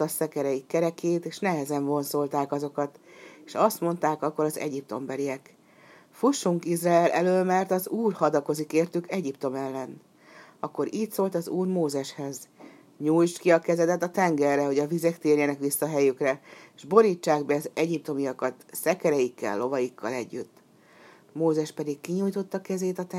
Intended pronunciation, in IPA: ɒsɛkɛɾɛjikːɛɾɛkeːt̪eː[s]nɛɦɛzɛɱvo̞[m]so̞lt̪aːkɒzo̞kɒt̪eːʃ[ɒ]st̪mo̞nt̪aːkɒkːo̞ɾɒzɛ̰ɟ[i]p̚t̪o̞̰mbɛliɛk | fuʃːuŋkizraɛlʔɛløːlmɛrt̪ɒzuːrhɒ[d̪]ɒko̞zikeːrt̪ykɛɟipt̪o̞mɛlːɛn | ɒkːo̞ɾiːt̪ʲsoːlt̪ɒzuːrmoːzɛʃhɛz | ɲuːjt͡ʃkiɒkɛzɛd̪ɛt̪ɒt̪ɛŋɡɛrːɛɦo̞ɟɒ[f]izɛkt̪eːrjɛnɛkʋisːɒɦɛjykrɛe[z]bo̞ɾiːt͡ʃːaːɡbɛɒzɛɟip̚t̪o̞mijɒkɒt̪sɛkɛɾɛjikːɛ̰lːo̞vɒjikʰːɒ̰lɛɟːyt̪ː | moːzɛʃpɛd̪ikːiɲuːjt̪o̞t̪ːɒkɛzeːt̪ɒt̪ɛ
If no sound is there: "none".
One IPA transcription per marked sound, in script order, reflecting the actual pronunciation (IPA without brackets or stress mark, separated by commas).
ʃ, n, ɒ, i, d̪, v, ʒ